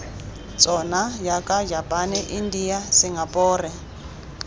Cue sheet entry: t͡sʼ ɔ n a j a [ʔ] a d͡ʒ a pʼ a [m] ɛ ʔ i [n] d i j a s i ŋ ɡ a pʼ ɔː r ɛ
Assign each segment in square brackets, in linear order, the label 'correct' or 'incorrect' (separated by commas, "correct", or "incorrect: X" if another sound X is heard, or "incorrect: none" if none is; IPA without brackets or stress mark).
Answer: incorrect: k, incorrect: n, correct